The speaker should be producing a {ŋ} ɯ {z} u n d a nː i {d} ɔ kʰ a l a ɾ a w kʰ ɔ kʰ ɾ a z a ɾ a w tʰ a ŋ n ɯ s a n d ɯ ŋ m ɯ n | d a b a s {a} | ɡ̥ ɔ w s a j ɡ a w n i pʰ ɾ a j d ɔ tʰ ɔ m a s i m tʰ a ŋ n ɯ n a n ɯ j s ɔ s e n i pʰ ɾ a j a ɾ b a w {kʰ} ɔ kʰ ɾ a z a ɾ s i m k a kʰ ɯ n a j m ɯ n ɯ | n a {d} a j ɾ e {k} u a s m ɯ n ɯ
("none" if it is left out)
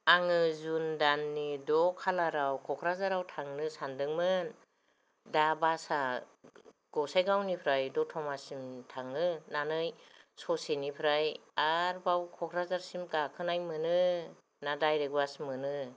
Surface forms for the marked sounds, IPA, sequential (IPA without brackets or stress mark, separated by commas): ŋ, z, d, a, kʰ, d, ɡ